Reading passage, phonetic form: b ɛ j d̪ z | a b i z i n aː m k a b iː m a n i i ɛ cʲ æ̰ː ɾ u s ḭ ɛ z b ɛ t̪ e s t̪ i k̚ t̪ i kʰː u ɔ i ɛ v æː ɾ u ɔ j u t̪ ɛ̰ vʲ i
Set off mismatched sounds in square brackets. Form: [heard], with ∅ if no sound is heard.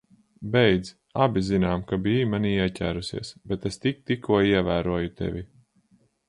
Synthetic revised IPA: b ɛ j d̪ z | a b i z i n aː m k a b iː m a n i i ɛ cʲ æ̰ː ɾ u s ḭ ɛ [s] b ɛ t̪ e s t̪ i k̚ t̪ i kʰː u ɔ i ɛ v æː ɾ u ɔ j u t̪ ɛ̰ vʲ i